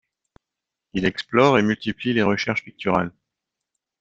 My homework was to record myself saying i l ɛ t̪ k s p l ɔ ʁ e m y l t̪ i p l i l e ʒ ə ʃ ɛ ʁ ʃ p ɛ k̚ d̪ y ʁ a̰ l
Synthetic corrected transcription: i l ɛ k s p l ɔ ʁ e m y l t̪ i p l i l e ʁ ə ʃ ɛ ʁ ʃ p i k̚ t̪ y ʁ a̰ l